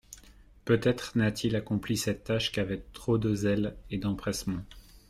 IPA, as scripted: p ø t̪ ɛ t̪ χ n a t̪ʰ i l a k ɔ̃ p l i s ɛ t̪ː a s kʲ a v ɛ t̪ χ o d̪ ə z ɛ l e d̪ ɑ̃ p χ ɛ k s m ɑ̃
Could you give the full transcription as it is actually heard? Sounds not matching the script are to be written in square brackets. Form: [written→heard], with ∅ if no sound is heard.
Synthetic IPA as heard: p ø t̪ ɛ t̪ χ n a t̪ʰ i l a k ɔ̃ p l i s ɛ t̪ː a [s→ʃ] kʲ a v ɛ t̪ χ o d̪ ə z ɛ l e d̪ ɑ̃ p χ ɛ [k→∅] s m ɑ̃